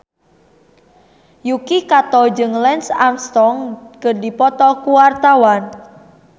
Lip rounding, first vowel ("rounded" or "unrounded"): rounded